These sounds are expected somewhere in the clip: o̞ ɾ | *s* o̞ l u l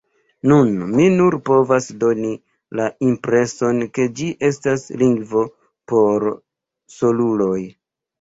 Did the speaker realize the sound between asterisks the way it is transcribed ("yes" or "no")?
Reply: yes